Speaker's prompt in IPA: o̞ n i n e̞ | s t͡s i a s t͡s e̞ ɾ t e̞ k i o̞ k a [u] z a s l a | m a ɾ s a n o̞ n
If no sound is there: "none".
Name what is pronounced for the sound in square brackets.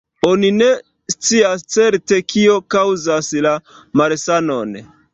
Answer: w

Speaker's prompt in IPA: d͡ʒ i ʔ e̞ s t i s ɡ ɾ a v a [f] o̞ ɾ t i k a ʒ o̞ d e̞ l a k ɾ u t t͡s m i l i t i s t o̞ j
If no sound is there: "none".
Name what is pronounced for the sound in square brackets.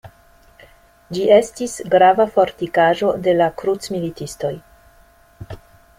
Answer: f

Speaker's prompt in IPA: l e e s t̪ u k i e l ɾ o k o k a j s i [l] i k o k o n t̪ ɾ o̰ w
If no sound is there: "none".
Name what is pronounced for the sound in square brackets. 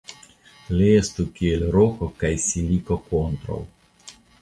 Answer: l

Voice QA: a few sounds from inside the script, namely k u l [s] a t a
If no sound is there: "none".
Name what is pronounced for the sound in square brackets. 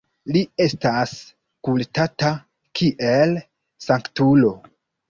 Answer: t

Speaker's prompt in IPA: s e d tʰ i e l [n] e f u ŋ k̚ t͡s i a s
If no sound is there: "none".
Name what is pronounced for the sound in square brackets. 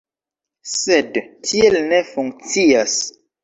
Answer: n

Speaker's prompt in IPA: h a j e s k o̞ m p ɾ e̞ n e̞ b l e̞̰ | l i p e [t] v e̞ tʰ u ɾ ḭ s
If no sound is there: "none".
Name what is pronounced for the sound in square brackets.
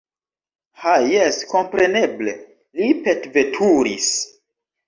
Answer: t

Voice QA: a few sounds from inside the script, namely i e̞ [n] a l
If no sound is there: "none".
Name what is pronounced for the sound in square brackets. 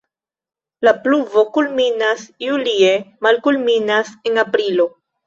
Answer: m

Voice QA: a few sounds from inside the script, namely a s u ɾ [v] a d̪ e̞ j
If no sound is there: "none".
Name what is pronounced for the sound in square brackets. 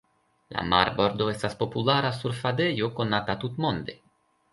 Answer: f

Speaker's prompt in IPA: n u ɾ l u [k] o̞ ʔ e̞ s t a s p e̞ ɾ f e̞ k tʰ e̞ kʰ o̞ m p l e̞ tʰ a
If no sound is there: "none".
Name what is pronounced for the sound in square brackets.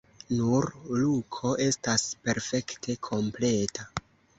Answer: kʰ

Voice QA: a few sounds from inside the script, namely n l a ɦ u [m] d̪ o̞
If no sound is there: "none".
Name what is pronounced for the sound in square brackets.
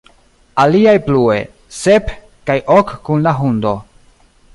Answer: n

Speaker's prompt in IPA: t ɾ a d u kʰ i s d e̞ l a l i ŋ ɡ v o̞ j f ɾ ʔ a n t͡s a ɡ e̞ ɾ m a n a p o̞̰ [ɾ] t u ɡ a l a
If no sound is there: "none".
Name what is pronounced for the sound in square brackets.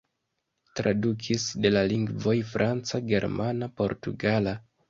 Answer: ɾ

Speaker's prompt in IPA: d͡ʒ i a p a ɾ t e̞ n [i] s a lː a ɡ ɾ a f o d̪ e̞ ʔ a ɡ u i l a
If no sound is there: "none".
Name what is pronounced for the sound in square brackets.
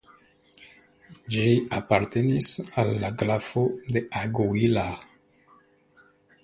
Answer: i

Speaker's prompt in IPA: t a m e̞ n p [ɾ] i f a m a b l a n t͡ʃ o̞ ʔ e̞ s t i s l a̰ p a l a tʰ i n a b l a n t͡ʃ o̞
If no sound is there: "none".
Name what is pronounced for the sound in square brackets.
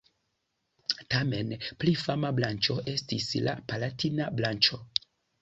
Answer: l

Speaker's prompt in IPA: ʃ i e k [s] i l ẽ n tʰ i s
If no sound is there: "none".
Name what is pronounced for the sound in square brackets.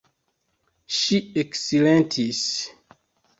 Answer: s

